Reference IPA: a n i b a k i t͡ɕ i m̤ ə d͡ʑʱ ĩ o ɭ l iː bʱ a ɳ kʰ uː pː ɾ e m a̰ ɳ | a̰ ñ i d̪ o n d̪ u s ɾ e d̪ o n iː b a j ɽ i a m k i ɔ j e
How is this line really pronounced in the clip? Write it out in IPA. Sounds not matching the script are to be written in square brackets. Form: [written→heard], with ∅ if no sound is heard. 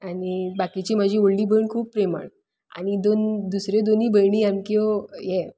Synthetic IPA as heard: a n i b a k i t͡ɕ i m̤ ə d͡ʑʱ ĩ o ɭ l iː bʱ [a→ə] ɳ kʰ uː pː ɾ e m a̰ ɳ | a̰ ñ i d̪ o n d̪ u s ɾ e d̪ o n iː b [a→ə] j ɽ i a m k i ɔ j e

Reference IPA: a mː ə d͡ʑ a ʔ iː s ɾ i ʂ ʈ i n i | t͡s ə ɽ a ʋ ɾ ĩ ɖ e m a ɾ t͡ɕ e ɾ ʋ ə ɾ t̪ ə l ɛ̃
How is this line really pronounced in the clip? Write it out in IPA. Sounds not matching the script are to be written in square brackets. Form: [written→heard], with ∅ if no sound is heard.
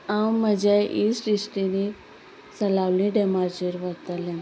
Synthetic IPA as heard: a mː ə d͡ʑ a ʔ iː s ɾ i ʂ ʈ i n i | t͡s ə [ɽ→l] a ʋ [ɾ→l] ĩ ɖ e m a ɾ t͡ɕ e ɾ ʋ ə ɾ t̪ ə l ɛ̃

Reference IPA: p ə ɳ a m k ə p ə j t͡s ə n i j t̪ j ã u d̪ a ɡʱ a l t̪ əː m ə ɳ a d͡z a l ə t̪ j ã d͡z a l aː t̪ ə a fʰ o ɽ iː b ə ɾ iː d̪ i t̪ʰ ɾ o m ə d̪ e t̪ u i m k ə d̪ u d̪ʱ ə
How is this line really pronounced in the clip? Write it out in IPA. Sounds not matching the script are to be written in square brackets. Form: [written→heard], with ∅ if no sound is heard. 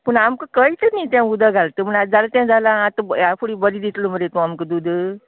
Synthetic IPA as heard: p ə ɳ a m k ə [p→k] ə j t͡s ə n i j t̪ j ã u d̪ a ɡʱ a l t̪ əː m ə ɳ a d͡z a l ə t̪ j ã d͡z a l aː t̪ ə a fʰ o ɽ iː b ə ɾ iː d̪ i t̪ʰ [ɾ→l] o m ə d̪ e t̪ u [i→a] m k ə d̪ u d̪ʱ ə

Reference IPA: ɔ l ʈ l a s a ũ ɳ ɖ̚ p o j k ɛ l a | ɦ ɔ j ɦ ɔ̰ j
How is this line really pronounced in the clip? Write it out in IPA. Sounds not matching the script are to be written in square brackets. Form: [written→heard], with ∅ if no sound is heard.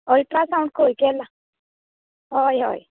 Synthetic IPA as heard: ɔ l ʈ [l→ɾ] a s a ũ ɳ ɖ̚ [p→k] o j k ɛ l a | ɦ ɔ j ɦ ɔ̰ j

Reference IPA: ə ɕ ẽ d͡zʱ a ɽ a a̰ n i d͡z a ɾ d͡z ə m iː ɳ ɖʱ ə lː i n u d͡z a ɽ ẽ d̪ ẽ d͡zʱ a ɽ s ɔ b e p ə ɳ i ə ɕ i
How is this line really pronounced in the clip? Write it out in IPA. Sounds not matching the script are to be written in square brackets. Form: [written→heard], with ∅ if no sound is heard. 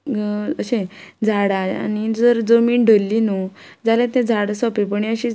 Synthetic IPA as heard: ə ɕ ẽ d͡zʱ a ɽ a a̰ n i d͡z [a→ə] ɾ d͡z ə m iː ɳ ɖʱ ə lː i n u d͡z a [ɽ→l] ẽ [d̪→t̪] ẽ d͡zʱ a ɽ s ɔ [b→p] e p ə ɳ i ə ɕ i

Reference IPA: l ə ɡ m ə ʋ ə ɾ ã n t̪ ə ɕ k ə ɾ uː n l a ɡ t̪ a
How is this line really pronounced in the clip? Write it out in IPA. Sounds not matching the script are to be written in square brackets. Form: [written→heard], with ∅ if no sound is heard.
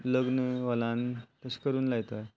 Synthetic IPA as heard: l ə ɡ [m→n] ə ʋ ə [ɾ→l] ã n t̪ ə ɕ k ə ɾ uː n l a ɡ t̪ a

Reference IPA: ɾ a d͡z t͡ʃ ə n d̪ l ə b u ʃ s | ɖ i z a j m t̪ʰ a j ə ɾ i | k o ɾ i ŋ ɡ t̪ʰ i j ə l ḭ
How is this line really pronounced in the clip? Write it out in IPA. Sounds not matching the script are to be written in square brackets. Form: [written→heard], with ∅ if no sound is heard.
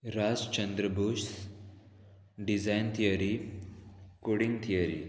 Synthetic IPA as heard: ɾ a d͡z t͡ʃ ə n d̪ [l→ɾ] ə b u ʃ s | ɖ i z a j [m→n] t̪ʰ [a→i] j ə ɾ i | k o [ɾ→ɽ] i ŋ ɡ t̪ʰ i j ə [l→ɾ] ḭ

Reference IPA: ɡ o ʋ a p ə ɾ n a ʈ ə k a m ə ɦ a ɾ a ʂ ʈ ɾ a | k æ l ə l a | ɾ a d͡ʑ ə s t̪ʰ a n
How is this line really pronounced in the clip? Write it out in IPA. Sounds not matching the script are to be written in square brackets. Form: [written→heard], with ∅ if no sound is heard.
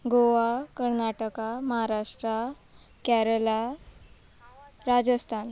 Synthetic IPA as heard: ɡ o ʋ a [p→k] ə ɾ n a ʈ ə k a m ə ɦ a ɾ a ʂ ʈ ɾ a | k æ [l→ɾ] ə l a | ɾ a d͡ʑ ə s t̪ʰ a n

